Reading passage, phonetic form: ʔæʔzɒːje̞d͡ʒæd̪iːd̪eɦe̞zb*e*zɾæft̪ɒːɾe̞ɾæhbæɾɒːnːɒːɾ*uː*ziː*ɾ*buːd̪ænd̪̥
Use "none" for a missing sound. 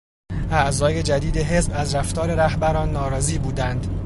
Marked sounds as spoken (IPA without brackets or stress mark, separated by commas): æ, ɒː, none